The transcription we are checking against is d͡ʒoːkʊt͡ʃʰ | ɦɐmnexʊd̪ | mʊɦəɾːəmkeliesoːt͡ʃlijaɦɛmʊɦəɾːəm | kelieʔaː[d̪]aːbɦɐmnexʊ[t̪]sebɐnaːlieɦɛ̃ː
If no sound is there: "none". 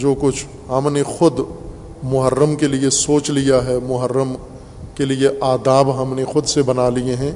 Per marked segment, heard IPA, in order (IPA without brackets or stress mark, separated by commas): d̪, d̪